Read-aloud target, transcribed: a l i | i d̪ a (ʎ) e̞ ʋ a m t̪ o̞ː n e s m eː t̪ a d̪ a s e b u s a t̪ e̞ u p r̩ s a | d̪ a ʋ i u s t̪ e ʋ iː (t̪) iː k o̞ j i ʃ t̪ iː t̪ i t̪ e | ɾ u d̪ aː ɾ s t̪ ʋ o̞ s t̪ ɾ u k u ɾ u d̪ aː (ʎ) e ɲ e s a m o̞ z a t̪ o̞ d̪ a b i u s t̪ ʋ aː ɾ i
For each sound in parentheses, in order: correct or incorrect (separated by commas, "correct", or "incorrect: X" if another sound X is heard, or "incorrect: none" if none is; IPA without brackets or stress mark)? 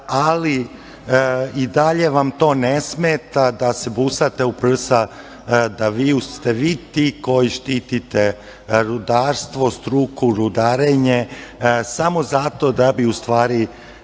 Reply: correct, correct, incorrect: ɾ